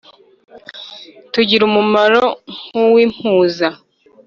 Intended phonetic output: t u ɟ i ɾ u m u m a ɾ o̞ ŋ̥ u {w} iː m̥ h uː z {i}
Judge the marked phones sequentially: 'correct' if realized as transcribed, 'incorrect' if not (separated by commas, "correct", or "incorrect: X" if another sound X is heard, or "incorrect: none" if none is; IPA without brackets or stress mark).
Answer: correct, incorrect: a